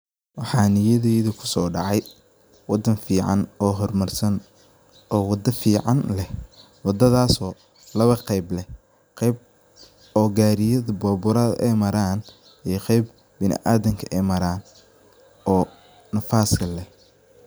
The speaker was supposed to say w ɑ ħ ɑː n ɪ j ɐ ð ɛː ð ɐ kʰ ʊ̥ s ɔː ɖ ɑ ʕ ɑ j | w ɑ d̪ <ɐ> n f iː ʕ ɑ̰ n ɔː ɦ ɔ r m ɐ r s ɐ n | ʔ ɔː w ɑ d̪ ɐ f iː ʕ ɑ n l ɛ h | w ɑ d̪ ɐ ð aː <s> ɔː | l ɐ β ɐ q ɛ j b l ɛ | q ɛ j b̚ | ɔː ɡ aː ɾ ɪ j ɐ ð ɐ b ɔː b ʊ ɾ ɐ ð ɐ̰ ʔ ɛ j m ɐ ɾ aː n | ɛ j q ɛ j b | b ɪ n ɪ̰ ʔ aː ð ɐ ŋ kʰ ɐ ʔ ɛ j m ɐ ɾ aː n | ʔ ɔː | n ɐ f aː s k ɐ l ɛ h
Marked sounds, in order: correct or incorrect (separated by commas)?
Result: correct, correct